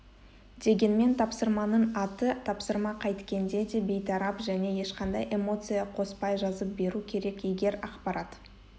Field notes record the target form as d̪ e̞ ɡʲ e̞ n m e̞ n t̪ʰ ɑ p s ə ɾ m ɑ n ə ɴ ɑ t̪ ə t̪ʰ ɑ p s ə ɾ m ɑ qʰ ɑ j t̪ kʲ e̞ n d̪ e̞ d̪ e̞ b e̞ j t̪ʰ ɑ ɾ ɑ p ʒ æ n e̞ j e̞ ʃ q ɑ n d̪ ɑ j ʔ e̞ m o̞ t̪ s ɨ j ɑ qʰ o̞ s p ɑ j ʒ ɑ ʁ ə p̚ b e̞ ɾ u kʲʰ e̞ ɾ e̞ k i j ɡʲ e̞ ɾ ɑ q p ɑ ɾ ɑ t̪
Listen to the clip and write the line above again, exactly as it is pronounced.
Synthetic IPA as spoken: d̪ e̞ ɡʲ e̞ n m e̞ n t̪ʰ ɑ p s ə ɾ m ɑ n ə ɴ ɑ t̪ ə t̪ʰ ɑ p s ə ɾ m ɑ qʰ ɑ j t̪ kʲ e̞ n d̪ e̞ d̪ e̞ b e̞ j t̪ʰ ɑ ɾ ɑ p ʒ æ n e̞ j e̞ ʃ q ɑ n d̪ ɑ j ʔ e̞ m o̞ t̪ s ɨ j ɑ qʰ o̞ s p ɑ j ʒ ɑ z ə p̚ b e̞ ɾ u kʲʰ e̞ ɾ e̞ k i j ɡʲ e̞ ɾ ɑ q p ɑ ɾ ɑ t̪